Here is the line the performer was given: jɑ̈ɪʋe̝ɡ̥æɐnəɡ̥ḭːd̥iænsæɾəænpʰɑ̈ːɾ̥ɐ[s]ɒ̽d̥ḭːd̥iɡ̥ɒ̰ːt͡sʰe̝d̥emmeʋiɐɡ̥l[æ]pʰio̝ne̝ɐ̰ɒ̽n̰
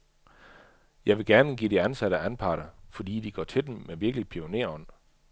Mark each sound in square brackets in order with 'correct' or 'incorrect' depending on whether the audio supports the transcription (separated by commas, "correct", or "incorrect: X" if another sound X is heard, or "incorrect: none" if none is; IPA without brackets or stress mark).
incorrect: f, incorrect: i